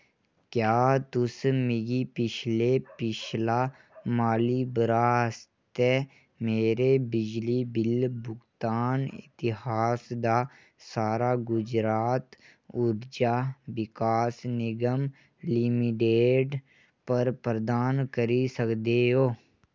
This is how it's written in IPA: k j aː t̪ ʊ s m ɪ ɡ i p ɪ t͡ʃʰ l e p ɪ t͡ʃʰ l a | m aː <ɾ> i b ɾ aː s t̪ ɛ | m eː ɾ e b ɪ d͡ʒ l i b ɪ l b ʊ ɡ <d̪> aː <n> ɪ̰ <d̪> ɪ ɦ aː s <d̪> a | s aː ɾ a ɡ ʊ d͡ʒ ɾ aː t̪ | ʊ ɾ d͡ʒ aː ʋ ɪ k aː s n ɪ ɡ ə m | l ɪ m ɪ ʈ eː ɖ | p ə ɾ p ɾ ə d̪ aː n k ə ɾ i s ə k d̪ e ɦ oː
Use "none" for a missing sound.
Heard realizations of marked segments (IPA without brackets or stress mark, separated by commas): l, t̪, n, t̪, d̪